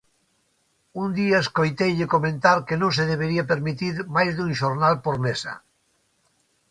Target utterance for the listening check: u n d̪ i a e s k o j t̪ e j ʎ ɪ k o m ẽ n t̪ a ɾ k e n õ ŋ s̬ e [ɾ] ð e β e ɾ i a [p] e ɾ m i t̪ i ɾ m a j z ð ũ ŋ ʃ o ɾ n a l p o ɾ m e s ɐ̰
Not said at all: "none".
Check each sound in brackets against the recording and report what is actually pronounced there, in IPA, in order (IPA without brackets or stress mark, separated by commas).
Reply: none, p